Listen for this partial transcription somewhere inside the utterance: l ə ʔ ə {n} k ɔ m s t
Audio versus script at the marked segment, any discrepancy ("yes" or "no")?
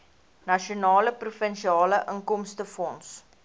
yes